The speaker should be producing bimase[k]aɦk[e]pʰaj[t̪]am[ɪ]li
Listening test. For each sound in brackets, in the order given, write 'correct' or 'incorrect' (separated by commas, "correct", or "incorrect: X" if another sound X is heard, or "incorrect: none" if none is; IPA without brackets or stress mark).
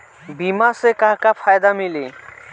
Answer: correct, incorrect: a, incorrect: d̪, incorrect: i